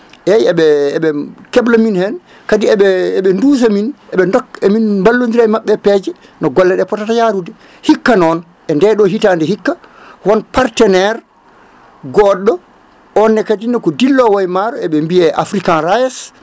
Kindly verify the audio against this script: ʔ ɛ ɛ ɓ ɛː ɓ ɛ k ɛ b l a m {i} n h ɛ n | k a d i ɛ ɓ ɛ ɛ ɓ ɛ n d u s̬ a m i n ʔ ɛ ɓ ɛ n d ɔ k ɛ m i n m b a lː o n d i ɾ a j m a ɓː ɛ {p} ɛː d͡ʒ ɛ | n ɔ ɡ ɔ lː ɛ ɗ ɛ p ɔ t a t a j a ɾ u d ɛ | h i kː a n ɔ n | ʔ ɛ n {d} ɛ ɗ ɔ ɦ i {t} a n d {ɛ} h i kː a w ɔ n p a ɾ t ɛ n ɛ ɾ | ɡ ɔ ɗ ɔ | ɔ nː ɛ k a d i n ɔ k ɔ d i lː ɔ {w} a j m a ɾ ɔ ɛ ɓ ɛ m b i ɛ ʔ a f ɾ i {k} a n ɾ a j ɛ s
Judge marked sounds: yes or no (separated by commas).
yes, yes, yes, yes, yes, yes, yes